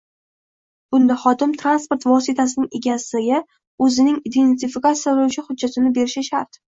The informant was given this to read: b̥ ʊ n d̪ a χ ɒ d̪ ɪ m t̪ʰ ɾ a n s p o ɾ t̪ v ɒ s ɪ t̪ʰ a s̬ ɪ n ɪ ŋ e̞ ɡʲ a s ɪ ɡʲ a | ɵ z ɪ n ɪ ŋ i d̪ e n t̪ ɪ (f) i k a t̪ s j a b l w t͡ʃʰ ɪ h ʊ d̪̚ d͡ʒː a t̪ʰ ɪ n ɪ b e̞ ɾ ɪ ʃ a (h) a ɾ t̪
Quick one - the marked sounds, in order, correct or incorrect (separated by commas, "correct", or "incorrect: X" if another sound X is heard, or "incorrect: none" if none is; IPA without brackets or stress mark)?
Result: correct, incorrect: ʃ